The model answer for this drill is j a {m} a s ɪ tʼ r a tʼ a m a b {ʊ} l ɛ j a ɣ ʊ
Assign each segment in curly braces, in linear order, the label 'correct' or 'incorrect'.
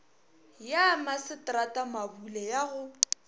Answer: correct, incorrect: u

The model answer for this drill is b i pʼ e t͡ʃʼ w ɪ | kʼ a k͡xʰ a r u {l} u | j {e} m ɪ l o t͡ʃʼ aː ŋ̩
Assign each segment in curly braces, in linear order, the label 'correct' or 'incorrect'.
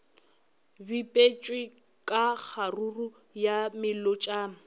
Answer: incorrect: r, incorrect: a

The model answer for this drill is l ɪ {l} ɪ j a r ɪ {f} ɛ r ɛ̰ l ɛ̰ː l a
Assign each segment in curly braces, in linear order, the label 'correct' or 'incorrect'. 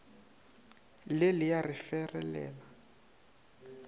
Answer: correct, correct

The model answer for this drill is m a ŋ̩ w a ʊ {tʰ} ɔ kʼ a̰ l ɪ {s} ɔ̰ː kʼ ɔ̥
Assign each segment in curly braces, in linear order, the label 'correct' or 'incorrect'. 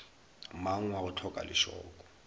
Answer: correct, incorrect: ʃ

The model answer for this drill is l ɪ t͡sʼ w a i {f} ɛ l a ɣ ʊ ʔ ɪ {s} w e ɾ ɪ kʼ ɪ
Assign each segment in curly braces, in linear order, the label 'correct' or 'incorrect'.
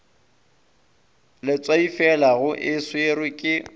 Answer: correct, correct

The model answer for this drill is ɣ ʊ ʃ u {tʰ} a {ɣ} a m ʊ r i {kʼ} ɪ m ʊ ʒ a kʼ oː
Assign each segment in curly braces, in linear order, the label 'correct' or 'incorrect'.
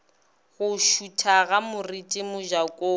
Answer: correct, correct, incorrect: tʼ

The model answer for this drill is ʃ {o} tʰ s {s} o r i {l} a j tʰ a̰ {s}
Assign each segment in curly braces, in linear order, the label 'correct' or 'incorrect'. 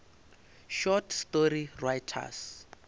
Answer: incorrect: ɔ, incorrect: t, incorrect: r, correct

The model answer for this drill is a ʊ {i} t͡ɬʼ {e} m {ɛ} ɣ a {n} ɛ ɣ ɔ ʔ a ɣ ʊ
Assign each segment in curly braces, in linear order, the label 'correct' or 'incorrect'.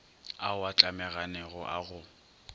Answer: incorrect: a, incorrect: a, correct, correct

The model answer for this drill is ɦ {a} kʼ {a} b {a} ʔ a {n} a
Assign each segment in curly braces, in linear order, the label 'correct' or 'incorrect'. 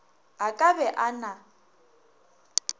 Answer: correct, correct, incorrect: ɛ, correct

